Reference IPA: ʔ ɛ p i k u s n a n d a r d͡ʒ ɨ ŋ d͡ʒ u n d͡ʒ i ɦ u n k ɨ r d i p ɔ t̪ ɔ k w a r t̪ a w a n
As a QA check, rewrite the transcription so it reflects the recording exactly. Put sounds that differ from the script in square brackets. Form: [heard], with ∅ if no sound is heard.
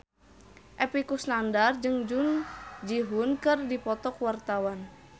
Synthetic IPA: ʔ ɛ p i k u s n a n d a r d͡ʒ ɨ ŋ d͡ʒ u n d͡ʒ i ɦ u n k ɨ r d i p ɔ t̪ ɔ k w a r t̪ a w a n